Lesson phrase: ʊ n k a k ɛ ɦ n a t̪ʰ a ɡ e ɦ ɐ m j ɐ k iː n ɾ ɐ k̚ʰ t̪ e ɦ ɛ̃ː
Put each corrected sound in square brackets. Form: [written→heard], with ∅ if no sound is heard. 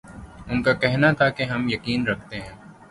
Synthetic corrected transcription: ʊ n k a k ɛ ɦ n a t̪ʰ a [ɡ→k] e ɦ ɐ m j ɐ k iː n ɾ ɐ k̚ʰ t̪ e ɦ ɛ̃ː